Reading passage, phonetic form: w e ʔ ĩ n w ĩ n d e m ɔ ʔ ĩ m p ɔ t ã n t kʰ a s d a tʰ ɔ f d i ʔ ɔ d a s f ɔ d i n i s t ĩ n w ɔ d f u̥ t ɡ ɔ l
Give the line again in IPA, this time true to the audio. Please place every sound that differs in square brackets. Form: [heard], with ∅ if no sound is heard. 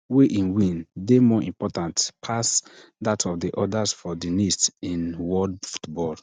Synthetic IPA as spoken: w e ʔ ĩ n w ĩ n d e m ɔ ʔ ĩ m p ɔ t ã n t [pʰ] a s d a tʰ ɔ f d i ʔ ɔ d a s f ɔ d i n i s t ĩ n w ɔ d f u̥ t [b] ɔ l

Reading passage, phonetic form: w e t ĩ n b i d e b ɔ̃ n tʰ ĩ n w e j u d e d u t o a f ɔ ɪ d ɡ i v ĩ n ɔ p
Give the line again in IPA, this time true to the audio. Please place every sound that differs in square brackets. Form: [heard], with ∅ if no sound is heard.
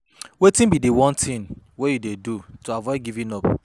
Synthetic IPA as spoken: w e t ĩ n b i d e [w] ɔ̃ n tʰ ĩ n w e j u d e d u t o a [v] ɔ ɪ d ɡ i v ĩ n ɔ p

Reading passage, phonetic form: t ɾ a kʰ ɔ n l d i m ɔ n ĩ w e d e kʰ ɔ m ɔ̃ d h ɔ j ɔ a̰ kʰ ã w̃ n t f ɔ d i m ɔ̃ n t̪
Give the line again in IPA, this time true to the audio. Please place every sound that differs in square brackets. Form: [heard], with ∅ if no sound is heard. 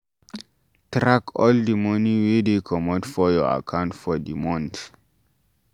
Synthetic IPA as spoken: t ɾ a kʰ ɔ [∅] l d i m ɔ n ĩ w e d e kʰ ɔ m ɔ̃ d [f] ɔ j ɔ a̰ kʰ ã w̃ n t f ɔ d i m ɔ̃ n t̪

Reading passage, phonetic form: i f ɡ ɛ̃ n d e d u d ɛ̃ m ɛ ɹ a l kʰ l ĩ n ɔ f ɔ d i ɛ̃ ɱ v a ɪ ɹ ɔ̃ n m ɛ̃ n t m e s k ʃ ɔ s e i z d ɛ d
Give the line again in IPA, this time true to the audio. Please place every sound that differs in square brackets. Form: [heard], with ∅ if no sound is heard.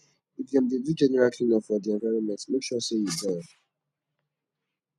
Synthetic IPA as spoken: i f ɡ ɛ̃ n d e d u [d͡ʒ] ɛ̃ [n] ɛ ɹ a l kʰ l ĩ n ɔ f ɔ d i ɛ̃ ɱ v a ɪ ɹ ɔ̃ n m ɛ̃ n t m e [∅] k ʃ ɔ s e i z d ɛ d

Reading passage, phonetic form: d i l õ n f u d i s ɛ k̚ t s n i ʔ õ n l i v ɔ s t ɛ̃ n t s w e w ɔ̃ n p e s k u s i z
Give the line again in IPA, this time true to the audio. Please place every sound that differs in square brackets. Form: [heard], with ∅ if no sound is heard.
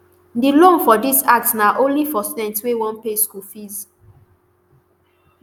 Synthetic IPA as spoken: d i l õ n f [ɔ] d i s [a] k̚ t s n [a] ʔ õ n l i [f] ɔ s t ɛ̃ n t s w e w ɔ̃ n p e s k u [f] i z

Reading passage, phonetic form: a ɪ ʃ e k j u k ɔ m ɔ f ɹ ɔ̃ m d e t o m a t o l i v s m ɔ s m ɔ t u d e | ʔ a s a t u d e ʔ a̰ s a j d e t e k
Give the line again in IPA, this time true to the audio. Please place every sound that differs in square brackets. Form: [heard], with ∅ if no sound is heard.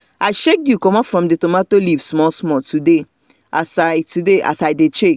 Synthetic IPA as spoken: a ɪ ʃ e k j u k ɔ m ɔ f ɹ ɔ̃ m d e t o m a t o l i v s m ɔ s m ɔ t u d e | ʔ a s a t u d e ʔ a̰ s a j d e [t͡ʃ] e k

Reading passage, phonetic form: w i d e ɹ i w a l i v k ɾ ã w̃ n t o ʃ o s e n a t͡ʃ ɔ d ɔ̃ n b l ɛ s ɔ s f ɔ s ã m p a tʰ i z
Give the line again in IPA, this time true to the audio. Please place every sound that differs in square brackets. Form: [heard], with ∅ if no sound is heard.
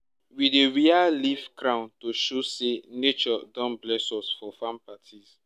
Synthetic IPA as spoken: w i d e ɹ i [∅] a l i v k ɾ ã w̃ n t o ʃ o s e n [e] t͡ʃ ɔ d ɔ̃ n b l ɛ s ɔ s f ɔ [f] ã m p a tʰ i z

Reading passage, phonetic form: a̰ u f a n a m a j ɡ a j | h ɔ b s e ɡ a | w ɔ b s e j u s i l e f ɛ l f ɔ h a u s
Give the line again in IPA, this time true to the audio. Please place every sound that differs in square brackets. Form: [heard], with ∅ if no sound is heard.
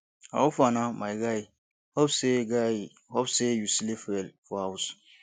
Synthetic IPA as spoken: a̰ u f a n a m a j ɡ a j | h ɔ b s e ɡ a | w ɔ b s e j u s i l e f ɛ l f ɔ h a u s

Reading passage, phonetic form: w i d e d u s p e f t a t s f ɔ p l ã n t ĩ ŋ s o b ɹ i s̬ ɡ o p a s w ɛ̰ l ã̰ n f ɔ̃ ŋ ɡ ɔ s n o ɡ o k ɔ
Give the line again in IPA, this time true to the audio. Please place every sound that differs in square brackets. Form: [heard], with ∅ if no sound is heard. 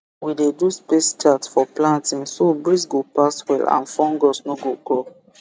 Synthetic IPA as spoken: w i d e d u s p e [s] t a t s f ɔ p l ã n t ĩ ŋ s o b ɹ i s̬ ɡ o p a s w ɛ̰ l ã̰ n f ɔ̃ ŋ ɡ ɔ s n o ɡ o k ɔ

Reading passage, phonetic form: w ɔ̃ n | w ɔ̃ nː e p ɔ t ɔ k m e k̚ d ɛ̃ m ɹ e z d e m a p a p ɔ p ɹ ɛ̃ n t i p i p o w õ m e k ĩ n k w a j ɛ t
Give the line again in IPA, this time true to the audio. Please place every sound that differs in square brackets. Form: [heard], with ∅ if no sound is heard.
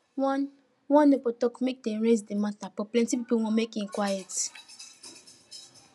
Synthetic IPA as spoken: w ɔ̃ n | w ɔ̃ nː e p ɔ t ɔ k m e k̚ d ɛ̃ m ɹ e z d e m a [t] a p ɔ p [l] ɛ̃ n t i p i p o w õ m e k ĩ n k w a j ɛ t

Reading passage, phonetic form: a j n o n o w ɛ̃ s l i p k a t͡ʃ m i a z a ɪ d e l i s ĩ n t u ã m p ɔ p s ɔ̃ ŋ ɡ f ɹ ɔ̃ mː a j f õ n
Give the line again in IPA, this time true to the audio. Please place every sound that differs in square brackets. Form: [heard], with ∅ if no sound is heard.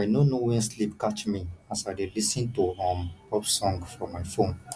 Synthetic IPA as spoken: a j n o n o w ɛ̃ s l i p k a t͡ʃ m i a [s] a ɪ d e l i s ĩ n t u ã m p ɔ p s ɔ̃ ŋ ɡ f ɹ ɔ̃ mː a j f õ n

